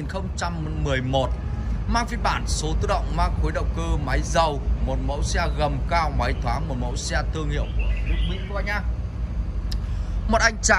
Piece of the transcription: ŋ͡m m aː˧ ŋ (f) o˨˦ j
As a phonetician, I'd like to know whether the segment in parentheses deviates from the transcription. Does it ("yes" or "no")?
yes